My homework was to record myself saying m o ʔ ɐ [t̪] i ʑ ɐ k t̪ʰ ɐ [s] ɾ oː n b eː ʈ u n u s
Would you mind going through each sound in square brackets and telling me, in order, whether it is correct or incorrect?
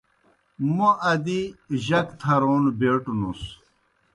incorrect, incorrect

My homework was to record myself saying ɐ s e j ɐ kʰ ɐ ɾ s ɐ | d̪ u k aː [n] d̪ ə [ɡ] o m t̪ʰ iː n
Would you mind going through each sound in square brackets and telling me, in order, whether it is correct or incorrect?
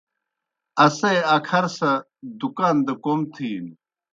correct, incorrect

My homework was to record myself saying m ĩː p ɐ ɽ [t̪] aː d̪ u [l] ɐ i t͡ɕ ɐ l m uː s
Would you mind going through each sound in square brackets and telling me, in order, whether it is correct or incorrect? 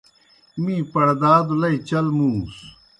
incorrect, correct

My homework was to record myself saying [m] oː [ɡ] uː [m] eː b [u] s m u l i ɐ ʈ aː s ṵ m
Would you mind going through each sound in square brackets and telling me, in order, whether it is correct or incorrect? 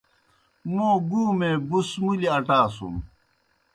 correct, correct, correct, correct

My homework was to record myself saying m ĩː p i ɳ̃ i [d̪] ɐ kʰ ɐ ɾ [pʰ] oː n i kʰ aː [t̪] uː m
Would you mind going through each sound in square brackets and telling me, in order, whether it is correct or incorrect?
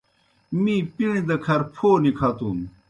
correct, correct, correct

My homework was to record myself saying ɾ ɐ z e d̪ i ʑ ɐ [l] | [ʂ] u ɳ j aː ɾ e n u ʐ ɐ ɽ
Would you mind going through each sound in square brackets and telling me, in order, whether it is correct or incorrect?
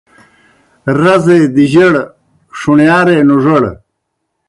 incorrect, correct

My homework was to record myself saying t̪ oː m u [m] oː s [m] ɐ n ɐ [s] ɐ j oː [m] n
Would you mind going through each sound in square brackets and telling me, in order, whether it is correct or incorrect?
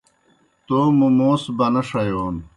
correct, incorrect, incorrect, incorrect

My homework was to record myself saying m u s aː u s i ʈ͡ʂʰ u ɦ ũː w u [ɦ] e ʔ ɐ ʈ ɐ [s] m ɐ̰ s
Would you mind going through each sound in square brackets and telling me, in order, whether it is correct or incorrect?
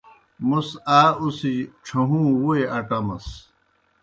incorrect, incorrect

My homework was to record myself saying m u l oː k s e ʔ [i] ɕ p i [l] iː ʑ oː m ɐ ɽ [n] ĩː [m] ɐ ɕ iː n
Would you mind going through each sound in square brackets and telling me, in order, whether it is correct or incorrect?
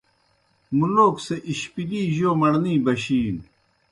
correct, correct, correct, incorrect

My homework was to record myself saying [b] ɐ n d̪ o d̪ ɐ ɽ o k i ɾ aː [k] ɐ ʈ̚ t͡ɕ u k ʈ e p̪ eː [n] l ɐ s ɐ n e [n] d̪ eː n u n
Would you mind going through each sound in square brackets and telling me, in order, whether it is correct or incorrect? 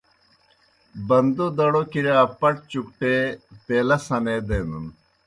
correct, incorrect, incorrect, incorrect

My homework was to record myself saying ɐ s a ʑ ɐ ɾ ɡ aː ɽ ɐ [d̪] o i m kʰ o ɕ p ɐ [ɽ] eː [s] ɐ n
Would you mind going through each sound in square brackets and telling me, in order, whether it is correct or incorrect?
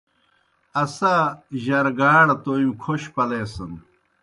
incorrect, incorrect, correct

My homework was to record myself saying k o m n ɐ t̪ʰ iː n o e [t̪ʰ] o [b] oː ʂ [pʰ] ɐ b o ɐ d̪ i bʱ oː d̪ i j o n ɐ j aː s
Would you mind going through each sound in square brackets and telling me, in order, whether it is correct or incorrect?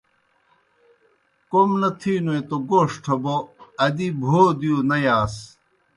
incorrect, incorrect, incorrect

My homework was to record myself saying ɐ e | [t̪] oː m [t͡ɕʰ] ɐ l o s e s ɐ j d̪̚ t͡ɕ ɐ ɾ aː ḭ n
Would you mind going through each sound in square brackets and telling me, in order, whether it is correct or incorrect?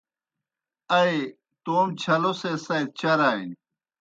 correct, correct

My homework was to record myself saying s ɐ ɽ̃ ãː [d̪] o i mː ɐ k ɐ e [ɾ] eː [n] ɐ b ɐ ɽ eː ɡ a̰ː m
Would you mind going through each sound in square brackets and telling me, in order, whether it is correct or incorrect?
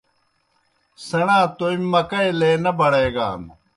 incorrect, incorrect, correct

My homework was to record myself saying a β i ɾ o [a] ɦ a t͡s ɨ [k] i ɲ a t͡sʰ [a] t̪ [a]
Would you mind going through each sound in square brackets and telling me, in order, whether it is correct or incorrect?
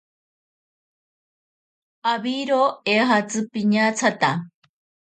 incorrect, incorrect, correct, correct

